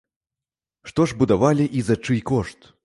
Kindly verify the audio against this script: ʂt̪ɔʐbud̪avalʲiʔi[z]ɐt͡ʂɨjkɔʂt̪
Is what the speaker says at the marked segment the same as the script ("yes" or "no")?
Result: yes